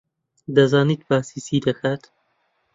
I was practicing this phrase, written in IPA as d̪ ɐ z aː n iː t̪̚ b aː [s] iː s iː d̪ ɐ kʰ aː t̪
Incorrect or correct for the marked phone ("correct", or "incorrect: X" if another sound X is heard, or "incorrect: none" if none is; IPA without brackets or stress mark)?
correct